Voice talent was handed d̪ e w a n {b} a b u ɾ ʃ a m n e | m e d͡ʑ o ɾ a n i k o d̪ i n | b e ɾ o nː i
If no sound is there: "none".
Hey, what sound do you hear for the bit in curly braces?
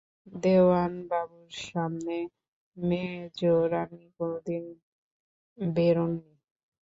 b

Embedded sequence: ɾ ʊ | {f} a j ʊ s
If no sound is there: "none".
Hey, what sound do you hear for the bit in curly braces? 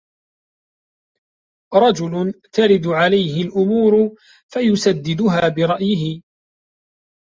f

